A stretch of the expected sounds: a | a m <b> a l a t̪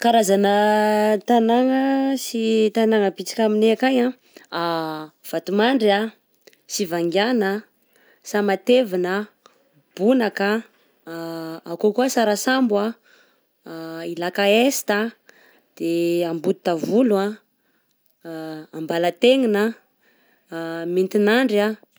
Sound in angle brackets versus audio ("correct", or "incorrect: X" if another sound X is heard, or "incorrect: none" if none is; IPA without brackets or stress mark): correct